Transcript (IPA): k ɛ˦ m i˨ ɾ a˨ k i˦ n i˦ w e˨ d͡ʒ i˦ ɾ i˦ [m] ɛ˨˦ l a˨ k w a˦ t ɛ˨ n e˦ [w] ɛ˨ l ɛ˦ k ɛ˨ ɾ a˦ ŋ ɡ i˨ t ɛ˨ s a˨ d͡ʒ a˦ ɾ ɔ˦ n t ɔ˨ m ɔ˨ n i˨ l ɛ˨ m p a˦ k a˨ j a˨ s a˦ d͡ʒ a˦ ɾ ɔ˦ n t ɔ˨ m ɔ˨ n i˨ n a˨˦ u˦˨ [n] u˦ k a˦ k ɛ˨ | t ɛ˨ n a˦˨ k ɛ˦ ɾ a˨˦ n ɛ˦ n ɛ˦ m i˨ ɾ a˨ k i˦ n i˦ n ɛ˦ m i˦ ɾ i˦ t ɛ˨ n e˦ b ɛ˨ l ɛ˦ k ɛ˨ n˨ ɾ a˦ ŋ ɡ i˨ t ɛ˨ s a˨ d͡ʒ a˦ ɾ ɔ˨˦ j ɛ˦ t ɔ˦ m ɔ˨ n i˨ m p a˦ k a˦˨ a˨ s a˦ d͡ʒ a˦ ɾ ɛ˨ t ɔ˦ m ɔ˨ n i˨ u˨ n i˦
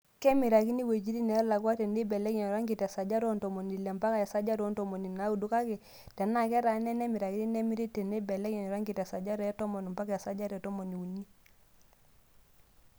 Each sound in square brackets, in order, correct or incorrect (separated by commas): incorrect, incorrect, incorrect